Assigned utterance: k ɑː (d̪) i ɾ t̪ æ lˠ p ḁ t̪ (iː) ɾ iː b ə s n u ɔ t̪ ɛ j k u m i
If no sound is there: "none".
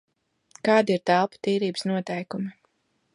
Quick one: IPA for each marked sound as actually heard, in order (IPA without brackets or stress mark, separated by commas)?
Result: d̪, iː